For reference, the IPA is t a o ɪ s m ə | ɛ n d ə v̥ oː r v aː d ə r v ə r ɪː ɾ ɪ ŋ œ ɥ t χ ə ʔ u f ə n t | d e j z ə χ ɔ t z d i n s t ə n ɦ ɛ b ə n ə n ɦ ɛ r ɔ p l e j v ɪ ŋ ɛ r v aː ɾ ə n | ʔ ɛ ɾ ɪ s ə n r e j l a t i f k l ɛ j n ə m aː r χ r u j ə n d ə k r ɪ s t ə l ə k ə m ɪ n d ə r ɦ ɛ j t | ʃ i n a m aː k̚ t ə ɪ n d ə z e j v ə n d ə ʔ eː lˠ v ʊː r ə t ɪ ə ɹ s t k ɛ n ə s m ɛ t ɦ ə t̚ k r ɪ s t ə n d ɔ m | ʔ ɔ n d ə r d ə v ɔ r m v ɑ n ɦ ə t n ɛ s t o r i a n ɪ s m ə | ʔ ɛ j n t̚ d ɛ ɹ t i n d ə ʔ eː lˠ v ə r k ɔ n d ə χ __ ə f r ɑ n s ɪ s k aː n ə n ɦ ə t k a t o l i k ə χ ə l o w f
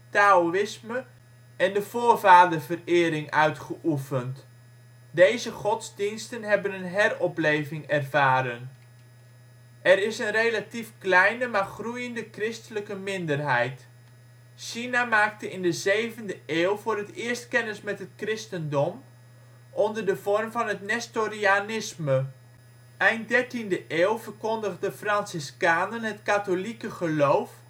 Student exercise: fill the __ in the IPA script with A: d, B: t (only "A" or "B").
A